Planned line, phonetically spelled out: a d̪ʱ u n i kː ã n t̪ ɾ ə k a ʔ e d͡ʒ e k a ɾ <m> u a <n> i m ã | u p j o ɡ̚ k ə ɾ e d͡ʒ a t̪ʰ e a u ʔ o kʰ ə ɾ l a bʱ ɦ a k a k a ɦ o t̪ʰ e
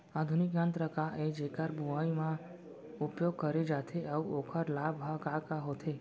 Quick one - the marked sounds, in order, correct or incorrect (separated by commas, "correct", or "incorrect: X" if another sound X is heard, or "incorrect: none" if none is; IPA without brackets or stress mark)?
incorrect: b, incorrect: none